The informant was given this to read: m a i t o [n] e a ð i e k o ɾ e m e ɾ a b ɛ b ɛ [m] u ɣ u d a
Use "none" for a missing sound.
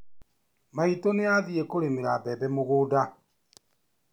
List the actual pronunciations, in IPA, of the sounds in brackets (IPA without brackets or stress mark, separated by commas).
n, m